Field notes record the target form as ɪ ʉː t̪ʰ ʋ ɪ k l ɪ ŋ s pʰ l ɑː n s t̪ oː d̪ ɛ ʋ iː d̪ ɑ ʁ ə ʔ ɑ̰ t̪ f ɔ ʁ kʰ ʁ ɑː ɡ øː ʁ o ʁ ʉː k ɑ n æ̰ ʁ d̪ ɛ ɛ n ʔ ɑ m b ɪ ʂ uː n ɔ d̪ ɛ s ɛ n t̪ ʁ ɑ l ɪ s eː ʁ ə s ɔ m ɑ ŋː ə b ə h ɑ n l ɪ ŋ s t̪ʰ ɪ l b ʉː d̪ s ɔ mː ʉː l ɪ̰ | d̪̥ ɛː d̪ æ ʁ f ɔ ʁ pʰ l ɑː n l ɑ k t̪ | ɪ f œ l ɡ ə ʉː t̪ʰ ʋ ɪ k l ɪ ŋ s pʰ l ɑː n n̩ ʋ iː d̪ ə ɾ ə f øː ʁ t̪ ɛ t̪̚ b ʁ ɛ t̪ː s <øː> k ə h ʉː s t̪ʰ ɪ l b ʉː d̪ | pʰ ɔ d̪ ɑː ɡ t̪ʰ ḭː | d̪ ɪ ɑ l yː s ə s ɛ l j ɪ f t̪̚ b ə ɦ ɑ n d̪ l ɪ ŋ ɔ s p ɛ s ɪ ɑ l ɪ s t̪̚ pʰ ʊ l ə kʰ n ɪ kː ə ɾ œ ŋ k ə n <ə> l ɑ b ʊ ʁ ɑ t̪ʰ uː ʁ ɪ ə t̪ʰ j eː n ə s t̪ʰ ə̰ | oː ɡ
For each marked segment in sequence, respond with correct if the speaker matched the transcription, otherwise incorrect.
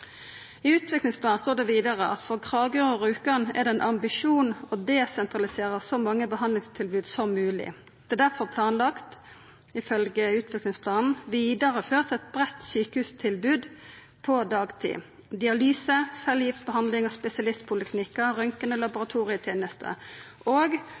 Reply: incorrect, correct

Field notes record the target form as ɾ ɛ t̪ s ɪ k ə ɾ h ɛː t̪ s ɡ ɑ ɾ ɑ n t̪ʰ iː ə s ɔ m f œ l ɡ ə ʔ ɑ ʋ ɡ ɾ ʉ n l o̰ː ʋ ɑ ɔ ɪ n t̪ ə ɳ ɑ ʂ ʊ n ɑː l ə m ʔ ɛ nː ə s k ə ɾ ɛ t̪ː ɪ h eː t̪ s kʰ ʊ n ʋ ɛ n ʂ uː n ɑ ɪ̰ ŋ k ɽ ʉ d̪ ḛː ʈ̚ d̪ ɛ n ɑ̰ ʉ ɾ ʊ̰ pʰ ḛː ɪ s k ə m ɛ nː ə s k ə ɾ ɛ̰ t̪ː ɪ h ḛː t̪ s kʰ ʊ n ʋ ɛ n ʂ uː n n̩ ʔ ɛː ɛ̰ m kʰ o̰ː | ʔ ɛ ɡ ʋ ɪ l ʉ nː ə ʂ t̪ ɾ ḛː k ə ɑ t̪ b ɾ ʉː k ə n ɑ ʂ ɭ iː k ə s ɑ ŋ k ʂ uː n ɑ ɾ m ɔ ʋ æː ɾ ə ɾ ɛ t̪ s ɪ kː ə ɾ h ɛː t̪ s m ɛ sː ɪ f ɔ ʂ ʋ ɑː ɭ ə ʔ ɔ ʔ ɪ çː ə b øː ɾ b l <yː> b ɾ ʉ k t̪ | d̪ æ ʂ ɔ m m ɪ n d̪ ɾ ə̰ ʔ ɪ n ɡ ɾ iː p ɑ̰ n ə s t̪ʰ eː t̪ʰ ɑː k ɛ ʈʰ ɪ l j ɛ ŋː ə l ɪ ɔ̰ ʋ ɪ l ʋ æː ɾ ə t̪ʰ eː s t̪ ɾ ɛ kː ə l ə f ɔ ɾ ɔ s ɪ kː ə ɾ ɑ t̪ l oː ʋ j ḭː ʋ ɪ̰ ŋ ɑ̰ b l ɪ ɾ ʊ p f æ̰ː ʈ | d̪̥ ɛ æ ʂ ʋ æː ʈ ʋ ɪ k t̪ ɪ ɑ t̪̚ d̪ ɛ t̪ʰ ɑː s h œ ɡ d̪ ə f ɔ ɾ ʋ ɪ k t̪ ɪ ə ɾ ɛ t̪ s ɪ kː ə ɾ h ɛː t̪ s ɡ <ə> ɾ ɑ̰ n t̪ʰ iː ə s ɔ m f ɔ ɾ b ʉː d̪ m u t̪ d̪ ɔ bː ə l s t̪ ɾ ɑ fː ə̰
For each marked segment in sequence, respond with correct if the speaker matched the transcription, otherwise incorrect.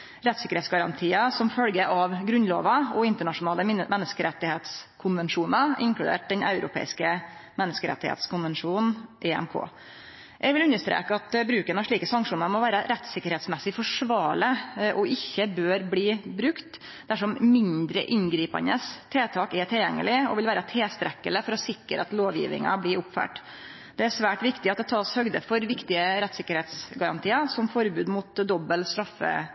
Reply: incorrect, incorrect

